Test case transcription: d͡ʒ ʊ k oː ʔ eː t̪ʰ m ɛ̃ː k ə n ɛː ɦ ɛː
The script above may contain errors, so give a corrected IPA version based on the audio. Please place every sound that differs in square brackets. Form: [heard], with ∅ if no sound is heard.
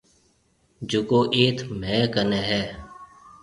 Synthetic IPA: d͡ʒ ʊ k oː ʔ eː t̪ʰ m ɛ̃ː k ə n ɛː ɦ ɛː